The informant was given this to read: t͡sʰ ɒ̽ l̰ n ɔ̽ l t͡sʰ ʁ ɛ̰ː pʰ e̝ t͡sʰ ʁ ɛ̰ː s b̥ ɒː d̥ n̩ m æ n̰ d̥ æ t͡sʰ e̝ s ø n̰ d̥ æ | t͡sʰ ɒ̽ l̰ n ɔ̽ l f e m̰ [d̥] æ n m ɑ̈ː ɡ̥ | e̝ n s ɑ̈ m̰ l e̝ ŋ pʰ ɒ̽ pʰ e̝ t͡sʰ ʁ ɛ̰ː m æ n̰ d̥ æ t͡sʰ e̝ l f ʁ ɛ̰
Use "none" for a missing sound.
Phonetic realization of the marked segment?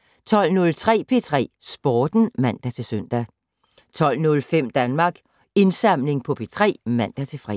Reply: d̥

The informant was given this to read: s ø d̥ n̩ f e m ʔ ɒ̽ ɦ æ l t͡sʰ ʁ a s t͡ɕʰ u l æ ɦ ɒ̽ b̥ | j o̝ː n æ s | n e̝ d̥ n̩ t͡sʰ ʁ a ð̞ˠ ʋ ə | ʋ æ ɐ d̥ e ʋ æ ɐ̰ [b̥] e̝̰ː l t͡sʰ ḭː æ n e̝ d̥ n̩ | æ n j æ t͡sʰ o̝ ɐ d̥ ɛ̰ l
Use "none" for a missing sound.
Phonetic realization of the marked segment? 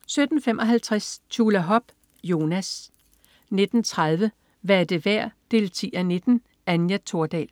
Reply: d̥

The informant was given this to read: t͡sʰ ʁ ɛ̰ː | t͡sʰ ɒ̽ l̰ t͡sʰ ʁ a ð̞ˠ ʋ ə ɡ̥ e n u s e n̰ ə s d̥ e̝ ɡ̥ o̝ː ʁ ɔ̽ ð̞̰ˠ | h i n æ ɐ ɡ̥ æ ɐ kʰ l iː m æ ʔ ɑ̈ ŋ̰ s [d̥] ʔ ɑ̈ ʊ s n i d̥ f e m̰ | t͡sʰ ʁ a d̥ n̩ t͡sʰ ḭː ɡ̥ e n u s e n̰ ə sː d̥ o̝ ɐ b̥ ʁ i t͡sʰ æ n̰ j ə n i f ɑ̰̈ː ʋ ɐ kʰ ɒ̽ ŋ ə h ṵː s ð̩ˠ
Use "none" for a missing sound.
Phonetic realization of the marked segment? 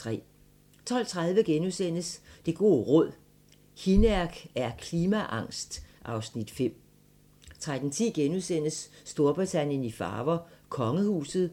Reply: d̥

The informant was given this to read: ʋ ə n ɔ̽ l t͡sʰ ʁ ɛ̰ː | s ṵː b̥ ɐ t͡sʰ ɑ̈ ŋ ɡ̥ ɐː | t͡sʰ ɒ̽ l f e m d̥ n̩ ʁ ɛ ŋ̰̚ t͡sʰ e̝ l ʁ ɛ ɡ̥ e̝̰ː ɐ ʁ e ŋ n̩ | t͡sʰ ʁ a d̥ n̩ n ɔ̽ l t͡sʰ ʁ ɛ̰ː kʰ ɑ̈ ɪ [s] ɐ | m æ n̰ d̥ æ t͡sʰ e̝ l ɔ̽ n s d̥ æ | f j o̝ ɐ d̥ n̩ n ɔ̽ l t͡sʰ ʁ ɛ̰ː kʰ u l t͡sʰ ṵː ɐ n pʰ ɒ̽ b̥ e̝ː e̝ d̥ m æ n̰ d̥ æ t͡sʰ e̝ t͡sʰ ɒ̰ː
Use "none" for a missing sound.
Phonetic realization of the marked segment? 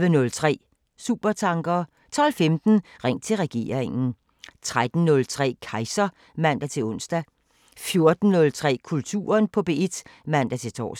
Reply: s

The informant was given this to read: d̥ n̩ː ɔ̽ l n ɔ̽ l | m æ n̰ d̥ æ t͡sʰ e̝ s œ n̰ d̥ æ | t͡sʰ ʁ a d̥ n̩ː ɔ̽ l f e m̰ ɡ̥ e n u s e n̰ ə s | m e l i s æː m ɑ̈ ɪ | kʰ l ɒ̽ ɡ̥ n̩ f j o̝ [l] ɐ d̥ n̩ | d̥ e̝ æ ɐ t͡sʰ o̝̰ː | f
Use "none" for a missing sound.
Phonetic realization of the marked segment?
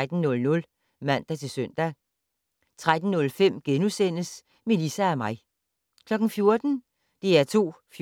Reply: none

